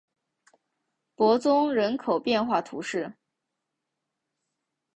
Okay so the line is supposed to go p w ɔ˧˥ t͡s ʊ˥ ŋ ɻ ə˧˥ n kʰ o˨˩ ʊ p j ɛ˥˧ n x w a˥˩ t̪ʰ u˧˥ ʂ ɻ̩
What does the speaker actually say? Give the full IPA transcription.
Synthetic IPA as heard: p w ɔ˧˥ t͡s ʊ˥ ŋ ɻ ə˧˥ n kʰ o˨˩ ʊ p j ɛ˥˧ n x w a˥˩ t̪ʰ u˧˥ ʂ ɻ̩